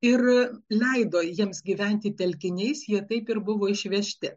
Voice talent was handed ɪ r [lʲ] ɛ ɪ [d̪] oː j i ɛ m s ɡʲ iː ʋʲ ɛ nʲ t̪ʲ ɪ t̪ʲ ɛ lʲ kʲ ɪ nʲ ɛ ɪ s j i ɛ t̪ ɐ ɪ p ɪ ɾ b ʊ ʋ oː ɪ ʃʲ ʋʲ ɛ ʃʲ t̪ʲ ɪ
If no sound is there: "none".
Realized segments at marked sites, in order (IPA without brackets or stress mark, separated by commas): lʲ, d̪